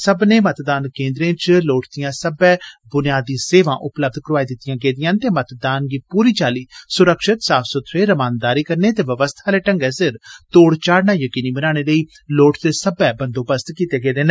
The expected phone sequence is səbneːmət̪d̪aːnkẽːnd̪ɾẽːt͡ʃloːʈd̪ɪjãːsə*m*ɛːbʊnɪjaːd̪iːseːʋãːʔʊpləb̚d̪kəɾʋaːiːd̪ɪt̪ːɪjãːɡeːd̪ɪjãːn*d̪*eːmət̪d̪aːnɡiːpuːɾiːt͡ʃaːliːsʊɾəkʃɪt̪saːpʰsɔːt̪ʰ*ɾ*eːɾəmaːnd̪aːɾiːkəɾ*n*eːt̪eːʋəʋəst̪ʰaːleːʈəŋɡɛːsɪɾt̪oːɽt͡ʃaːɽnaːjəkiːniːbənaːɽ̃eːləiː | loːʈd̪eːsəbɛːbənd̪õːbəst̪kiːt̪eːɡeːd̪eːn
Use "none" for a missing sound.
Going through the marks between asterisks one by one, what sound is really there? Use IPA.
b, t̪, ɾ, n

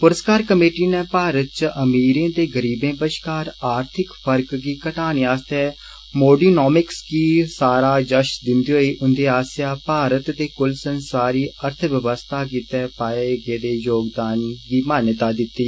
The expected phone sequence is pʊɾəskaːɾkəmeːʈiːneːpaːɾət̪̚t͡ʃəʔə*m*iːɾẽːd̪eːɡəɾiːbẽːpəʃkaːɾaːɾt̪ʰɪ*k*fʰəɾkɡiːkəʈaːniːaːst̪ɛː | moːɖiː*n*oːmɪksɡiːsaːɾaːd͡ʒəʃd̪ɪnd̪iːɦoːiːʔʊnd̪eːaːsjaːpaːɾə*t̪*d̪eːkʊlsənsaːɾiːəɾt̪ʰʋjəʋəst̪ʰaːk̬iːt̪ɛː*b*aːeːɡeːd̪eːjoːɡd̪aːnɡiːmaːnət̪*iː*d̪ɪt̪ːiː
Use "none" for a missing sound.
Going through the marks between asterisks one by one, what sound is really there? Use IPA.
m, k, n, t̪, p, aː

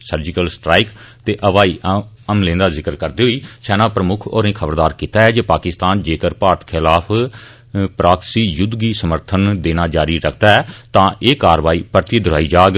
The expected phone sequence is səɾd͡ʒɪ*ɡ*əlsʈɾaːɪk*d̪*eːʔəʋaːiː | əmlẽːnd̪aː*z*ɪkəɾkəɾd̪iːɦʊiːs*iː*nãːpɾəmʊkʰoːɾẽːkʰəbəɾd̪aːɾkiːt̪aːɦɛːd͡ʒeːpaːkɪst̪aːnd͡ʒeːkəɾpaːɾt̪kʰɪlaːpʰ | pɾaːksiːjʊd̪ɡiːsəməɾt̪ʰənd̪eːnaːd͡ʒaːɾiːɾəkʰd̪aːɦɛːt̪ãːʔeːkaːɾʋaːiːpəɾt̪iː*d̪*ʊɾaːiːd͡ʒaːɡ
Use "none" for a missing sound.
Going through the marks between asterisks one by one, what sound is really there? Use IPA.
k, t̪, z, ɛː, d̪

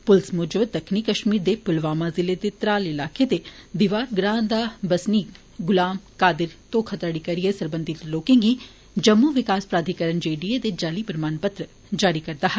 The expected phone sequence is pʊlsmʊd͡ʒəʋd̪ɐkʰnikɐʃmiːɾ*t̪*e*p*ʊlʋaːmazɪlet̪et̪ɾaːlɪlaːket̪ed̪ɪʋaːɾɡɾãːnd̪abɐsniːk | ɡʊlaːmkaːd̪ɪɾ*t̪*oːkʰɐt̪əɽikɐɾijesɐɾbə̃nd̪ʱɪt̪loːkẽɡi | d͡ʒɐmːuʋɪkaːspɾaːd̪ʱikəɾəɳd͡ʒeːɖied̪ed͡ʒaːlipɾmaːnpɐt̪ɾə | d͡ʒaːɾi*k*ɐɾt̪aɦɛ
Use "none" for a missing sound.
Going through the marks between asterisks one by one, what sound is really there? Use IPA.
d̪, p, t̪, k

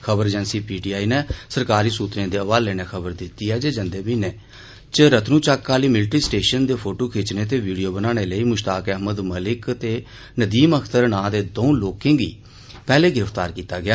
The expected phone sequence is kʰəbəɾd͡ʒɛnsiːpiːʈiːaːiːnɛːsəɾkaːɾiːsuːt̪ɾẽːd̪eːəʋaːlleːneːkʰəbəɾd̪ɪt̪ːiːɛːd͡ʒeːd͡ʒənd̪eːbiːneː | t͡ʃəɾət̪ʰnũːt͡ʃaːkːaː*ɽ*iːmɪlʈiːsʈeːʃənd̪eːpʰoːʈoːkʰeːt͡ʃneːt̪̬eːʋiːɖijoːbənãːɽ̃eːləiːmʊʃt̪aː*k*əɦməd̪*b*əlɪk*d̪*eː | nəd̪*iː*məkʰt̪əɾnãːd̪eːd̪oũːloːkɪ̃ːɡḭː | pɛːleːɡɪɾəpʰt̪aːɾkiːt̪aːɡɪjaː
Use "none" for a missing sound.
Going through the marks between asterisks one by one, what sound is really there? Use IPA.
l, k, m, t̪, iː

